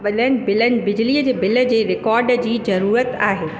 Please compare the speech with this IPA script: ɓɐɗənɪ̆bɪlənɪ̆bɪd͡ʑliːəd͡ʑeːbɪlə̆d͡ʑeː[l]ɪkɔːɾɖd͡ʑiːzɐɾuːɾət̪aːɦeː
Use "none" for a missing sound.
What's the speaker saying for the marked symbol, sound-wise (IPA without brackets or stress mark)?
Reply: ɾ